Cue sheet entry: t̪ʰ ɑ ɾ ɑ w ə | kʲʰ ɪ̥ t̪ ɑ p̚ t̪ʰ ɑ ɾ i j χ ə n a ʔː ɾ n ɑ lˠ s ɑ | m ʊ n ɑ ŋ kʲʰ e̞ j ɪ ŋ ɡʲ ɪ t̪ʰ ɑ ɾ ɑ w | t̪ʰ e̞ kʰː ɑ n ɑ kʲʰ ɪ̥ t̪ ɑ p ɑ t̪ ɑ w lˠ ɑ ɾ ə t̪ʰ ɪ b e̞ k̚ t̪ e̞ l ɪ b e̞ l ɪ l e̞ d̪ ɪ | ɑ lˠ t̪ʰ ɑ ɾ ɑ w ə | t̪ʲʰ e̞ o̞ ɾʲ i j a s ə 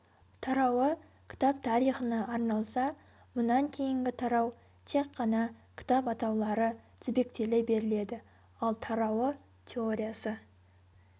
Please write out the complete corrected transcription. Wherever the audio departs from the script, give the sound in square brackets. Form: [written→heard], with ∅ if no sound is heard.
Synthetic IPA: t̪ʰ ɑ ɾ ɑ w ə | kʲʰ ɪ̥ t̪ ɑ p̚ t̪ʰ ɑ ɾ i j χ ə n [a→ɑ] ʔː ɾ n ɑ lˠ s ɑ | m ʊ n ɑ ŋ kʲʰ e̞ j ɪ ŋ ɡʲ ɪ t̪ʰ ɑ ɾ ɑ w | t̪ʰ e̞ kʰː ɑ n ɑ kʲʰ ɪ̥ t̪ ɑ p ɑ t̪ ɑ w lˠ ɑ ɾ ə t̪ʰ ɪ b e̞ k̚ t̪ e̞ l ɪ b e̞ [l→ɾ] ɪ l e̞ d̪ ɪ | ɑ lˠ t̪ʰ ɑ ɾ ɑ w ə | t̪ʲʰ e̞ o̞ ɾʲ i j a s ə